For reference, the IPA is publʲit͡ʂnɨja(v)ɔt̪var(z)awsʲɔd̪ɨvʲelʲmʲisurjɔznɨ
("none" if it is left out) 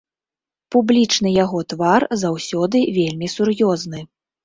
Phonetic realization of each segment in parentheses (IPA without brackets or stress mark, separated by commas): ɣ, z